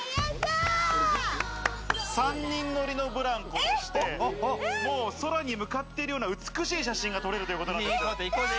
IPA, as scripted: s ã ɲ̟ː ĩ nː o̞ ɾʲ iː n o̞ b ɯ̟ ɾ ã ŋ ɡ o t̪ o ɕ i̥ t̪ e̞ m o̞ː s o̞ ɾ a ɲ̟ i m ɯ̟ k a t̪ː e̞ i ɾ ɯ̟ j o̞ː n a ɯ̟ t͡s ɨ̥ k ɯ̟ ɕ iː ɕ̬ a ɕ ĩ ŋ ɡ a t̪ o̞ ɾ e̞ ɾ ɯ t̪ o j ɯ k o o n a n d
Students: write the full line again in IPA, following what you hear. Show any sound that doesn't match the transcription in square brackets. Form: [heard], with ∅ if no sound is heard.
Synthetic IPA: s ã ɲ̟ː ĩ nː o̞ ɾʲ [i] n o̞ b ɯ̟ ɾ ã ŋ [k] o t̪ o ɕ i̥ t̪ e̞ m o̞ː s o̞ ɾ a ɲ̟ i m ɯ̟ k a t̪ː e̞ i ɾ ɯ̟ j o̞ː n a ɯ̟ t͡s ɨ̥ k ɯ̟ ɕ iː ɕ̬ a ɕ ĩ ŋ ɡ a t̪ o̞ ɾ e̞ ɾ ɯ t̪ o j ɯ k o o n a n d